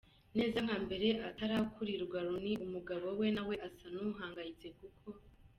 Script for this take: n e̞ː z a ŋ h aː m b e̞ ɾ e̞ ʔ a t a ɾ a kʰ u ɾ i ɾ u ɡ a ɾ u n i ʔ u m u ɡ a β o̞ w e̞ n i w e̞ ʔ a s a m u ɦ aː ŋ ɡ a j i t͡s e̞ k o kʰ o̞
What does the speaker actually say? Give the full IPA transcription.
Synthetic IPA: n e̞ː z a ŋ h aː m b e̞ ɾ e̞ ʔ a t a ɾ a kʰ u ɾ i ɾ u ɡ a ɾ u n i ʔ u m u ɡ a β o̞ w e̞ n a w e̞ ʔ a s a n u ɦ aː ŋ ɡ a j i t͡s e̞ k u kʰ o̞